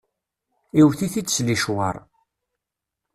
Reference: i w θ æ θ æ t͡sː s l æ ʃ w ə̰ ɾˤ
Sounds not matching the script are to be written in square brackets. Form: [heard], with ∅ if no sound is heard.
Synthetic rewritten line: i w θ [i] θ [i] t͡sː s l [i] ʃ w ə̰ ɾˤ